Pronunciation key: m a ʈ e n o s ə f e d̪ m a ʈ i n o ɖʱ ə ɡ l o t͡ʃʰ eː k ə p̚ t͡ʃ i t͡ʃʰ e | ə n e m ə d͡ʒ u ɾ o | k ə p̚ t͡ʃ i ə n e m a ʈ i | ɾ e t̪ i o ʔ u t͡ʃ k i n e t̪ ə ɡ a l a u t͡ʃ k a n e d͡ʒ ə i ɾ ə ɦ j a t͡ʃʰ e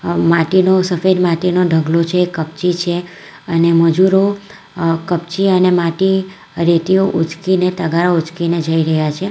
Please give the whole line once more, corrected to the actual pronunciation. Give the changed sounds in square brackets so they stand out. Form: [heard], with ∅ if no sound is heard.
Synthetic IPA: m a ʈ [i] n o s ə f e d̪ m a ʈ i n o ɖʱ ə ɡ l o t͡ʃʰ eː k ə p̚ t͡ʃ i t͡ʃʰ e | ə n e m ə d͡ʒ u ɾ o | k ə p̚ t͡ʃ i ə n e m a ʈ i | ɾ e t̪ i o ʔ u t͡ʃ k i n e t̪ ə ɡ a [ɾ] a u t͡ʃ k [i] n e d͡ʒ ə i ɾ ə ɦ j a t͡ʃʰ e